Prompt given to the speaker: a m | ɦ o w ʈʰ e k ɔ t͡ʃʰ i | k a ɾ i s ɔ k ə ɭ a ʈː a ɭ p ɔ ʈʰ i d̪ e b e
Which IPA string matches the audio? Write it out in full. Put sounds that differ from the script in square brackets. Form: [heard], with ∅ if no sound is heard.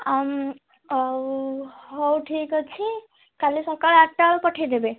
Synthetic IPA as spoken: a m | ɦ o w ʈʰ [i] k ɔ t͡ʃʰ i | k a [l] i s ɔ k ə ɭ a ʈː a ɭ p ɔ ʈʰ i d̪ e b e